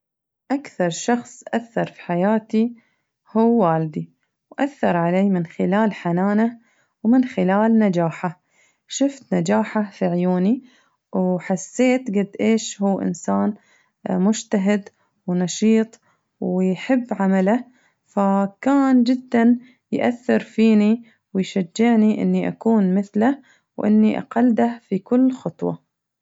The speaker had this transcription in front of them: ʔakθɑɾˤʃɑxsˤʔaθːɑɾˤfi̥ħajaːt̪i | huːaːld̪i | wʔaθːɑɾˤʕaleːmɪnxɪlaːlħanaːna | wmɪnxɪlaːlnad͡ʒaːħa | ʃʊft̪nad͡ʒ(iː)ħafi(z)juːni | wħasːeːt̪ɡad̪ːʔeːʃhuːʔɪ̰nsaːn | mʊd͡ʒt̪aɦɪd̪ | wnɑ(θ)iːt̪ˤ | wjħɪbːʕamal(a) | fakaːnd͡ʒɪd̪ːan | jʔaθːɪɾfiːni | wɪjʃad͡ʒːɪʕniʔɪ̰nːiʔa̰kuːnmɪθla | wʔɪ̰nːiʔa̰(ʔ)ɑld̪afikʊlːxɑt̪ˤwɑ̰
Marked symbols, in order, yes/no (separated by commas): no, no, no, yes, no